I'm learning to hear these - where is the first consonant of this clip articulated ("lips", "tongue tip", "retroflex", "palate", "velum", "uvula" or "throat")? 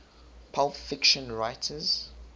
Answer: lips